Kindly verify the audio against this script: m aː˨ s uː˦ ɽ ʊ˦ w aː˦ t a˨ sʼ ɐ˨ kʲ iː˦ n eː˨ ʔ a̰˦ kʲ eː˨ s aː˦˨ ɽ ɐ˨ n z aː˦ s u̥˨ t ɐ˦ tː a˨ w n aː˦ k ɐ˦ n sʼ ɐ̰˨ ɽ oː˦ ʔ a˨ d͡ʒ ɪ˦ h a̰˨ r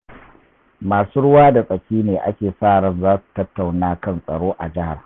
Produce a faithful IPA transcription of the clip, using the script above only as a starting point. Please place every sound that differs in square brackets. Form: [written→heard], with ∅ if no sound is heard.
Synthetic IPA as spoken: m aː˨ s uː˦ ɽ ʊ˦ w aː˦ [t→d] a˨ sʼ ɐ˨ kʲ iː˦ n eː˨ ʔ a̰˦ kʲ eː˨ s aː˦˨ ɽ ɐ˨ n z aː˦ s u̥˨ t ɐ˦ tː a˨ w n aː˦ k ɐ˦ n sʼ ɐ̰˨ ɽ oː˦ ʔ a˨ d͡ʒ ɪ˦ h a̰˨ r